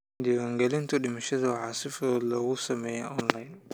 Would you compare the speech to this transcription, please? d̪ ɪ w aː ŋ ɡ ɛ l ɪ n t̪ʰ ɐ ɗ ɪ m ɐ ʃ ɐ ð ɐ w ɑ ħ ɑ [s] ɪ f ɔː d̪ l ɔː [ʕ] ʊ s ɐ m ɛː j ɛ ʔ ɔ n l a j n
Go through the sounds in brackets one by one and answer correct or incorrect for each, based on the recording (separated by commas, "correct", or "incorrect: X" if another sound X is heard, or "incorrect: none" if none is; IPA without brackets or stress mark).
correct, incorrect: ɣ